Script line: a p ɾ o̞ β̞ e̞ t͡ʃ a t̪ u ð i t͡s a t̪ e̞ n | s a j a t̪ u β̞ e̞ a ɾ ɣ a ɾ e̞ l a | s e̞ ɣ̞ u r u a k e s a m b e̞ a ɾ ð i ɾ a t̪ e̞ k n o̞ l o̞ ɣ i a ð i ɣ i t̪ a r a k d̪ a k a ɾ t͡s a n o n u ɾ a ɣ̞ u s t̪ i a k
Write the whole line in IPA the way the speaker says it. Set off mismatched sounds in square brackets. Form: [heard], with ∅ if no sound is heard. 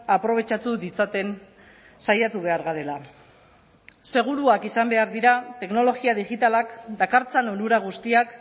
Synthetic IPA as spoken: a p ɾ o̞ β̞ e̞ t͡ʃ a t̪ u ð i t͡s a t̪ e̞ n | s a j a t̪ u β̞ e̞ a ɾ ɣ a ɾ e̞ l a | s e̞ ɣ̞ u [ɾ] u a k [i] s a m b e̞ a ɾ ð i ɾ a t̪ e̞ k n o̞ l o̞ ɣ i a ð i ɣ i t̪ a [l] a k d̪ a k a ɾ t͡s a n o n u ɾ a ɣ̞ u s t̪ i a k

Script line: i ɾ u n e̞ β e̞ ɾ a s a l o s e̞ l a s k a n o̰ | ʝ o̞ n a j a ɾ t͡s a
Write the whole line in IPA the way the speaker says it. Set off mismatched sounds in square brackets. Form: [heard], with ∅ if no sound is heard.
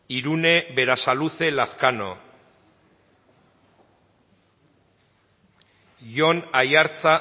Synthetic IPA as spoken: i ɾ u n e̞ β e̞ ɾ a s a l [u] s e̞ l a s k a n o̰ | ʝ o̞ n a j a ɾ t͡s a

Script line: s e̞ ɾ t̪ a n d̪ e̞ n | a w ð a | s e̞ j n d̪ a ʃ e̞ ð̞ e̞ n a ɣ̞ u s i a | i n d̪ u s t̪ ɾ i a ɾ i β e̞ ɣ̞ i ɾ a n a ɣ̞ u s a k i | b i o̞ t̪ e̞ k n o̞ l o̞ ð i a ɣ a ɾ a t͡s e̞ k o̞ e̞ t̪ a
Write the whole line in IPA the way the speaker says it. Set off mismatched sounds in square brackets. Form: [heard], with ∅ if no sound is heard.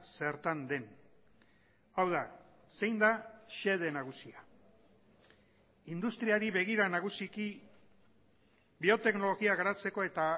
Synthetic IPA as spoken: s e̞ ɾ t̪ a n d̪ e̞ n | a w ð a | s e̞ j n d̪ a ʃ e̞ ð̞ e̞ n a ɣ̞ u s i a | i n d̪ u s t̪ ɾ i a ɾ i β e̞ ɣ̞ i ɾ a n a ɣ̞ u s [i] k i | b i o̞ t̪ e̞ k n o̞ l o̞ [ɣ] i a ɣ a ɾ a t͡s e̞ k o̞ e̞ t̪ a

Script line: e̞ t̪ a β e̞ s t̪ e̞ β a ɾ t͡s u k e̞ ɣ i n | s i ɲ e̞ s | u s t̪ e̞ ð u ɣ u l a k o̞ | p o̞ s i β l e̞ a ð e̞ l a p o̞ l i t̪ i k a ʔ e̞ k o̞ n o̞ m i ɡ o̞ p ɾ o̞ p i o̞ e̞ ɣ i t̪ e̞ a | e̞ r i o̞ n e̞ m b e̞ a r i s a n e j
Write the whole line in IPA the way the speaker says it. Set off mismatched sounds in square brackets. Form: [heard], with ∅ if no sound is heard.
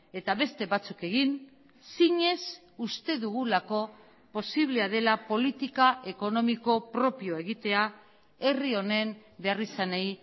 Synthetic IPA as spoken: e̞ t̪ a β e̞ s t̪ e̞ β a [∅] t͡s u k e̞ ɣ i n | s i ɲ e̞ s | u s t̪ e̞ ð u ɣ u l a k o̞ | p o̞ s i β l e̞ a ð e̞ l a p o̞ l i t̪ i k a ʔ e̞ k o̞ n o̞ m i [k] o̞ p ɾ o̞ p i o̞ e̞ ɣ i t̪ e̞ a | e̞ r i o̞ n e̞ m b e̞ a r i s a n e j

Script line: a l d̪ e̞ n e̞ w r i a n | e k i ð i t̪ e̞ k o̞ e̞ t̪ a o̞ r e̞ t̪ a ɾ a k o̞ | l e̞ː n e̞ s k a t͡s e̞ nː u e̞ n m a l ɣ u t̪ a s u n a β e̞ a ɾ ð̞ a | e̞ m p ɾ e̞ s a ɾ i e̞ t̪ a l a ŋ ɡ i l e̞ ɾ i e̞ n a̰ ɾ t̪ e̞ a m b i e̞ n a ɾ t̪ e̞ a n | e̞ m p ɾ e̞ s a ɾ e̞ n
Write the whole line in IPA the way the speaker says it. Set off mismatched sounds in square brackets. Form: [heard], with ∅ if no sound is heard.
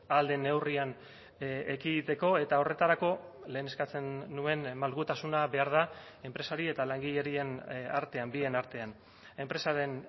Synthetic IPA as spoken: a l d̪ e̞ n e̞ w r i a n | e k i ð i t̪ e̞ k o̞ e̞ t̪ a o̞ r e̞ t̪ a ɾ a k o̞ | l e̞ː n e̞ s k a t͡s e̞ nː u e̞ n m a l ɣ u t̪ a s u n a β e̞ a ɾ ð̞ a | e̞ m p ɾ e̞ s a ɾ i e̞ t̪ a l a ŋ ɡ i [ʎ] e̞ ɾ i e̞ n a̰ ɾ t̪ e̞ a m b i e̞ n a ɾ t̪ e̞ a n | e̞ m p ɾ e̞ s a ɾ e̞ n

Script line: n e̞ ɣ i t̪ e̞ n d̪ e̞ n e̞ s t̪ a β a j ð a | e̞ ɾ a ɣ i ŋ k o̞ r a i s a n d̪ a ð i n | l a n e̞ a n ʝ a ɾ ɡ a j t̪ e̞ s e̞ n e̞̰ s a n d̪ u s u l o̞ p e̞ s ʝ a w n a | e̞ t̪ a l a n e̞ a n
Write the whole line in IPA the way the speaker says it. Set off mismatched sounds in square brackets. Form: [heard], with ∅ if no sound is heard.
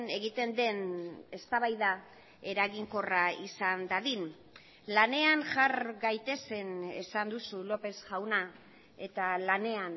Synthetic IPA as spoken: n e̞ ɣ i t̪ e̞ n d̪ e̞ n e̞ s t̪ a β a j ð a | e̞ ɾ a ɣ i ŋ k o̞ r a i s a n d̪ a ð i n | l a n e̞ a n ʝ a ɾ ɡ a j t̪ e̞ s e̞ n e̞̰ s a n d̪ u s u l o̞ p e̞ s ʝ a w n a | e̞ t̪ a l a n e̞ a n

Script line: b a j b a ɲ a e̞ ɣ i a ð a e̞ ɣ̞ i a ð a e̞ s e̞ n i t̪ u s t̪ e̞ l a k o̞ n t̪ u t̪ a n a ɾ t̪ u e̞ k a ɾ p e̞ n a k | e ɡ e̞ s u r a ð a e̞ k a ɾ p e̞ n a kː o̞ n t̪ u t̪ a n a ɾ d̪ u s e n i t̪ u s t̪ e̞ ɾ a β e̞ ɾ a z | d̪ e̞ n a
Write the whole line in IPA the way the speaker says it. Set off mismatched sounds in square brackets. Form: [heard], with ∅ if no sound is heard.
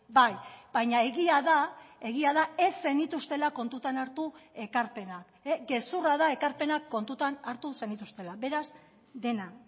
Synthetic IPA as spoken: b a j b a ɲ a e̞ ɣ i a ð a e̞ ɣ̞ i a ð a e̞ s e̞ n i t̪ u s t̪ e̞ l a k o̞ n t̪ u t̪ a n a ɾ t̪ u e̞ k a ɾ p e̞ n a k | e ɡ e̞ s u r a ð a e̞ k a ɾ p e̞ n a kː o̞ n t̪ u t̪ a n a ɾ [t̪] u s e n i t̪ u s t̪ e̞ [l] a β e̞ ɾ a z | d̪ e̞ n a

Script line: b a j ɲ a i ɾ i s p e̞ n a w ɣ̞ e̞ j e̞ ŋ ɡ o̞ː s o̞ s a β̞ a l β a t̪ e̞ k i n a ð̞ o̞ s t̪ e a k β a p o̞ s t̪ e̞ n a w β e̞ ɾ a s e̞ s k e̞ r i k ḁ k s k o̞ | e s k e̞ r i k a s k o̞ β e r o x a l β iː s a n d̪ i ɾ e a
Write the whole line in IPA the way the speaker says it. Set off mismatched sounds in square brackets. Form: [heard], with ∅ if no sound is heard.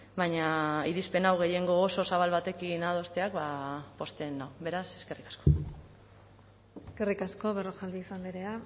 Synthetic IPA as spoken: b a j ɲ a i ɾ i s p e̞ n a w ɣ̞ e̞ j e̞ ŋ ɡ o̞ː s o̞ s a β̞ a l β a t̪ e̞ k i n a ð̞ o̞ s t̪ e a k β a p o̞ s t̪ e̞ n a w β e̞ ɾ a s e̞ s k e̞ r i k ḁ [∅] s k o̞ | e s k e̞ r i k a s k o̞ β e r o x a l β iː s a n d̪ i ɾ e a

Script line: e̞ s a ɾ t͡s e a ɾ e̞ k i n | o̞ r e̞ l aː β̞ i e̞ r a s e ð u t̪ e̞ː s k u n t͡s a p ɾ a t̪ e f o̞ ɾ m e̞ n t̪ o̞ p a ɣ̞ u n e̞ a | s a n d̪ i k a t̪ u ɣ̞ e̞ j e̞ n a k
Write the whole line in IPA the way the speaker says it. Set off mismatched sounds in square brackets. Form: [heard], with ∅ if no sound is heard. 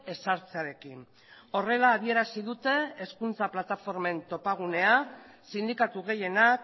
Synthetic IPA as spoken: e̞ s a ɾ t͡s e a ɾ e̞ k i n | o̞ r e̞ l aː β̞ i e̞ [ɾ] a s [i] ð u t̪ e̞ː s k u n t͡s a p [l] a t̪ [a] f o̞ ɾ m e̞ n t̪ o̞ p a ɣ̞ u n e̞ a | s [i] n d̪ i k a t̪ u ɣ̞ e̞ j e̞ n a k

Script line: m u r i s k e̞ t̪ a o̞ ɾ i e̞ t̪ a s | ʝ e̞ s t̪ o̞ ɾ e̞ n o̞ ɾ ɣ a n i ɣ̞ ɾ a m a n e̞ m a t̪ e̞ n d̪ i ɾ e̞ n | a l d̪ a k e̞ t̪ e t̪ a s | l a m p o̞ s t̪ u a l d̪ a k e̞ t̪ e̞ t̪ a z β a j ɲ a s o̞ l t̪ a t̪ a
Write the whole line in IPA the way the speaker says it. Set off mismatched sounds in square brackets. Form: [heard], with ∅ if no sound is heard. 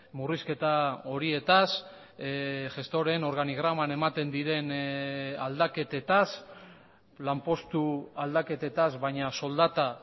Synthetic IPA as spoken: m u r i s k e̞ t̪ a o̞ ɾ i e̞ t̪ a s | ʝ e̞ s t̪ o̞ ɾ e̞ n o̞ ɾ ɣ a n i ɣ̞ ɾ a m a n e̞ m a t̪ e̞ n d̪ i ɾ e̞ n | a l d̪ a k e̞ t̪ e t̪ a s | l a m p o̞ s t̪ u a l d̪ a k e̞ t̪ e̞ t̪ a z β a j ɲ a s o̞ l [d̪] a t̪ a

